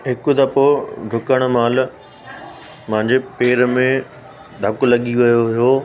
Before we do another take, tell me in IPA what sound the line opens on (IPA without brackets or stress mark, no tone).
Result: ɦ